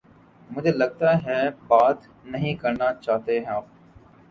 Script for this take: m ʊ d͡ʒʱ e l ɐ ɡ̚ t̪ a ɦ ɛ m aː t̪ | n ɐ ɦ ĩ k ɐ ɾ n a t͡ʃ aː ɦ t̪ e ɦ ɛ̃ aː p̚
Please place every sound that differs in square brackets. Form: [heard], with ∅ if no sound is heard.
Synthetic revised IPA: m ʊ d͡ʒʱ e l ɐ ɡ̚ t̪ a ɦ ɛ [b] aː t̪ | n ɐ ɦ ĩ k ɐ ɾ n a t͡ʃ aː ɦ t̪ e ɦ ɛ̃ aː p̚